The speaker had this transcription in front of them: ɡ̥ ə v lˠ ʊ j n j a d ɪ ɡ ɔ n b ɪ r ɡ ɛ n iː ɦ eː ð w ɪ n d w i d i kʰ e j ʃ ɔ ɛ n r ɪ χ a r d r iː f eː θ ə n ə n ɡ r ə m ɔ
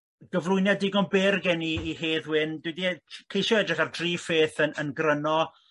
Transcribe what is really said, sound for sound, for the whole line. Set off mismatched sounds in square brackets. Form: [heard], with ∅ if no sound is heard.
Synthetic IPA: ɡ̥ ə v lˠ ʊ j n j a d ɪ ɡ ɔ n b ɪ r ɡ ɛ n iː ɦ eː ð w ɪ n d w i d i kʰ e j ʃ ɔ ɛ [d] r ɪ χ a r d r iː f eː θ ə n ə n ɡ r ə [n] ɔ